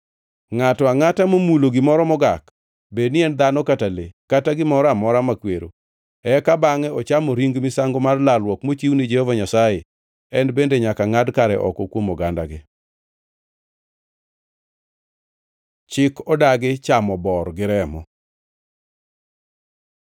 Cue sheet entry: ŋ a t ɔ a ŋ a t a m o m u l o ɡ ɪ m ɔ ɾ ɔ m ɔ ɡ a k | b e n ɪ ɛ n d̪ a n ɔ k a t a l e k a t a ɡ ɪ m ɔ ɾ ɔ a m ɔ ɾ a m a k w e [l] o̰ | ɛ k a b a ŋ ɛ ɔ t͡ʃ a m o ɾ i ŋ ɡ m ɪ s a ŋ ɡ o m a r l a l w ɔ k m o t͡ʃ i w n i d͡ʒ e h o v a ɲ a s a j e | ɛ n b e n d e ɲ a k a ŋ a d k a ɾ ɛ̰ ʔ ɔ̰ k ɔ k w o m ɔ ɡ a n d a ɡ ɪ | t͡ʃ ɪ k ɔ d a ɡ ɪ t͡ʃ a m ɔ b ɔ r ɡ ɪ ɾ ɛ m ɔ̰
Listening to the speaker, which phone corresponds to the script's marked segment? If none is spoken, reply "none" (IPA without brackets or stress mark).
ɾ